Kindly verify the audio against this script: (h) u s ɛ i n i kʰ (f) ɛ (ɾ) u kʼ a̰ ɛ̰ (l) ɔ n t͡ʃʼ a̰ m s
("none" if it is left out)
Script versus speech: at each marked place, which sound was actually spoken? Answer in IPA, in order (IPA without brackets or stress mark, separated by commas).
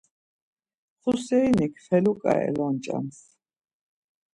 χ, f, l, l